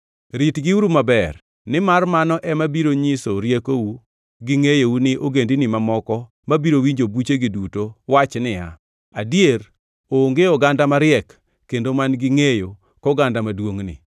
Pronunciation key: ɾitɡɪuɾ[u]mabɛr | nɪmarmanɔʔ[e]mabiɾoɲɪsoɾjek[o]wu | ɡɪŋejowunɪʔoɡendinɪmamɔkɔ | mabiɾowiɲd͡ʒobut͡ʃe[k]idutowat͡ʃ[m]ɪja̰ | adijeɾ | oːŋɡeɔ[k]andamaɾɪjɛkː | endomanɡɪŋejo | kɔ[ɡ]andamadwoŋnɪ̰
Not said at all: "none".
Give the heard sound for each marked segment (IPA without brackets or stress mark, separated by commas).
u, ɛ, o, ɡ, n, ɡ, ɡ